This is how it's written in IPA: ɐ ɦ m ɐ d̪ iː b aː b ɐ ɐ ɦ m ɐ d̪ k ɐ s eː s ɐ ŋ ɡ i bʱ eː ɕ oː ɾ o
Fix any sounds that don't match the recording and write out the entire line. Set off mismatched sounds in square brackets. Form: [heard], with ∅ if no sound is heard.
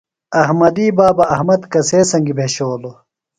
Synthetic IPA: ɐ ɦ m ɐ d̪ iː b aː b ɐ ɐ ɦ m ɐ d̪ k ɐ s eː s ɐ ŋ ɡ i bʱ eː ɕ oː [l] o